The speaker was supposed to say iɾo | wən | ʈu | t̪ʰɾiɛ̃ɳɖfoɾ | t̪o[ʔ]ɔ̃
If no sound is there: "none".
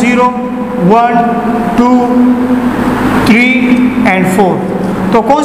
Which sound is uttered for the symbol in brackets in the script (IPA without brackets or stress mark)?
k